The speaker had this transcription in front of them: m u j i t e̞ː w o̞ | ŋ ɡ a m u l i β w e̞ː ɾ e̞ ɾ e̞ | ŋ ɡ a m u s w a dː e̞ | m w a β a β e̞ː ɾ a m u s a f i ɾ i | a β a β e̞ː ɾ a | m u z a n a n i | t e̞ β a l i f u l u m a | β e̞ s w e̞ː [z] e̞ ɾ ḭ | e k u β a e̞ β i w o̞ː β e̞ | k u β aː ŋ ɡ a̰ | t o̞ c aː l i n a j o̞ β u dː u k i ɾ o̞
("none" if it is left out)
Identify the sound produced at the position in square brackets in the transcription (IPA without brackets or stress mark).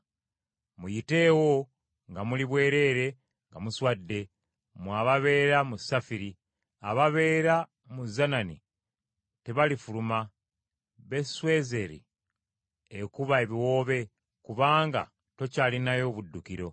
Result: z